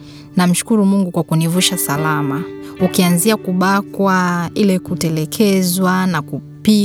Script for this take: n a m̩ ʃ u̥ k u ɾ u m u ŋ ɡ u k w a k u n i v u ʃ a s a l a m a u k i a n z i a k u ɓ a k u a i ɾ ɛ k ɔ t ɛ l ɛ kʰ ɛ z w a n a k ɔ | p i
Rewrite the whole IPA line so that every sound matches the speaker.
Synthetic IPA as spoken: n a m̩ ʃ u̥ k u ɾ u m u ŋ ɡ u k w a k u n i v u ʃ a s a l a m a u k i a n z i a k u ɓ a k w a i l ɛ k u t ɛ l ɛ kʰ ɛ z w a n a k u | p i